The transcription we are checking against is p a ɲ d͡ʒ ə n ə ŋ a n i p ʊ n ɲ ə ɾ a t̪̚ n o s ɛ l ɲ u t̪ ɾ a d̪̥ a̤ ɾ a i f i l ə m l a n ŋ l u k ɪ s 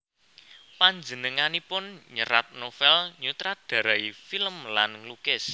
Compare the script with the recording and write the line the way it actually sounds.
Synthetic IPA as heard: p a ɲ d͡ʒ ə n ə ŋ a n i p ʊ n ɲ ə ɾ a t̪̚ n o f ɛ l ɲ u t̪ ɾ a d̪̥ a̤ ɾ a i f i l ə m l a n ŋ l u k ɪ s